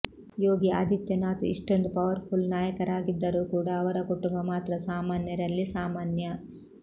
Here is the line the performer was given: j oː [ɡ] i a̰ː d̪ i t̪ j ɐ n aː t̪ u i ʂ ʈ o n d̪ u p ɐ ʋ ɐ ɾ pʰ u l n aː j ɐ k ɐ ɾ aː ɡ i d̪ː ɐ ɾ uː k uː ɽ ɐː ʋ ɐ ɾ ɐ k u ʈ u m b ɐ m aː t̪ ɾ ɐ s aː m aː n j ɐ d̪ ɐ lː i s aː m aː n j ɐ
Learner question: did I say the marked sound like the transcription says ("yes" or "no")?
yes